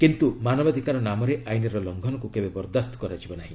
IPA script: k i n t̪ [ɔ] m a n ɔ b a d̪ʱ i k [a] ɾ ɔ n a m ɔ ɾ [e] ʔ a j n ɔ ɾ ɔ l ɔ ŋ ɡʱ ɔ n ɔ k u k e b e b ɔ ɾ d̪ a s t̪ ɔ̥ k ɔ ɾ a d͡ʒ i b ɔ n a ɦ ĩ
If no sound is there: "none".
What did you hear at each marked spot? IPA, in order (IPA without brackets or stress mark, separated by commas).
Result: u, a, e